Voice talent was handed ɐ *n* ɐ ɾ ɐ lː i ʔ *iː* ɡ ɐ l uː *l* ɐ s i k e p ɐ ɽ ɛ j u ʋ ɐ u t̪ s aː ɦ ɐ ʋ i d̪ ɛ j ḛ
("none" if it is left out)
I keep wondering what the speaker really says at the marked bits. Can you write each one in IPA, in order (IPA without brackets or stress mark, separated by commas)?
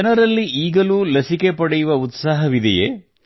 n, iː, l